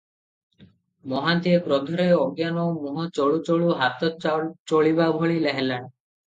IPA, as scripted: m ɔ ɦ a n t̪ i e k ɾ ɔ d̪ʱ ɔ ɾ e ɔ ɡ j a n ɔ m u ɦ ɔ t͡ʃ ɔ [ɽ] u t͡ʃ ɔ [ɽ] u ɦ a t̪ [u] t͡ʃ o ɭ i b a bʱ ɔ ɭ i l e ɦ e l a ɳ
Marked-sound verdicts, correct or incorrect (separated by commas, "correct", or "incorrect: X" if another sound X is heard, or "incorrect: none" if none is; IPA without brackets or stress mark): incorrect: ɭ, incorrect: ɭ, incorrect: ɔ